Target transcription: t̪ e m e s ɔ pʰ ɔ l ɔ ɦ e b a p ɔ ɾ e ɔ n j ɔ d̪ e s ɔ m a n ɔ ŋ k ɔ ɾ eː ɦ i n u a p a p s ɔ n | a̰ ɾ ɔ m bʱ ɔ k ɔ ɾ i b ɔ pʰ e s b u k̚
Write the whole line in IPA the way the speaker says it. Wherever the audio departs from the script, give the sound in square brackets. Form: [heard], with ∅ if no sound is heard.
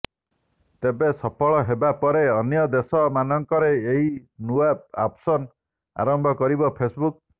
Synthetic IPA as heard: t̪ e [b] e s ɔ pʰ ɔ [ɭ] ɔ ɦ e b a p ɔ ɾ e ɔ n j ɔ d̪ e s ɔ m a n ɔ ŋ k ɔ ɾ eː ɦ i n u a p a p s ɔ n | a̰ ɾ ɔ m bʱ ɔ k ɔ ɾ i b ɔ pʰ e s b u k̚